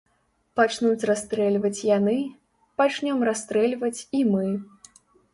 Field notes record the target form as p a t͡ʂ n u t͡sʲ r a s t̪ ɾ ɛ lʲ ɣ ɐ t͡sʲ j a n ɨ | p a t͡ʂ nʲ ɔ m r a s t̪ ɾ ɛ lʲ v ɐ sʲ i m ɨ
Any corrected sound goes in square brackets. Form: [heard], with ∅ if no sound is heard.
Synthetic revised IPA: p a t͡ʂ n u t͡sʲ r a s t̪ ɾ ɛ lʲ [v] ɐ t͡sʲ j a n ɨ | p a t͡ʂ nʲ ɔ m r a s t̪ ɾ ɛ lʲ v ɐ [t͡sʲ] i m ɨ